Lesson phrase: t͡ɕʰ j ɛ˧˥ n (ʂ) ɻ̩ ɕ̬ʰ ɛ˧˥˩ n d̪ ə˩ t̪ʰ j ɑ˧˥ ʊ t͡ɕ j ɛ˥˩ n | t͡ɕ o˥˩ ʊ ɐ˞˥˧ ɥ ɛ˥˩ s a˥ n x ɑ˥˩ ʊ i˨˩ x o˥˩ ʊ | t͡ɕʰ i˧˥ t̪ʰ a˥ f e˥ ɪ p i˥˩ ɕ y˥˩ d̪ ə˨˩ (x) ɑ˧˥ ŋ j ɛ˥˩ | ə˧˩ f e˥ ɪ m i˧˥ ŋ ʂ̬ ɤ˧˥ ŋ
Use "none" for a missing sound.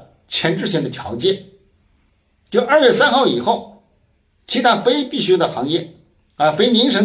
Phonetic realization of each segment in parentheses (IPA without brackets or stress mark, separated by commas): ʈ͡ʂ, x